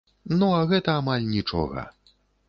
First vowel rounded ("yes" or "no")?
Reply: yes